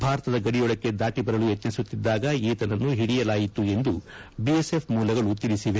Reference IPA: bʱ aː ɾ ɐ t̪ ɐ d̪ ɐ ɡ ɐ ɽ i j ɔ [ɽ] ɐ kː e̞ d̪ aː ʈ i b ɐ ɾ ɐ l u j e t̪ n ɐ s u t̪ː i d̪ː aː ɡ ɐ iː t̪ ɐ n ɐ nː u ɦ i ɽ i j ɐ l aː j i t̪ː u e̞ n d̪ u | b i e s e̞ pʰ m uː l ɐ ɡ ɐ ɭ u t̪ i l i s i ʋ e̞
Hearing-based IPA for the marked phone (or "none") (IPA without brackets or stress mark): ɭ